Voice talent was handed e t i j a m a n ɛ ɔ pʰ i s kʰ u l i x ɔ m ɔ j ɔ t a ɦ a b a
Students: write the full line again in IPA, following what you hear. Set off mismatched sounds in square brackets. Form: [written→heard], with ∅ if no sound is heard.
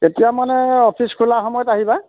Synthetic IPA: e t i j a m a n ɛ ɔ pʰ i s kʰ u l [i→a] x ɔ m ɔ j ɔ t a ɦ [a→i] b a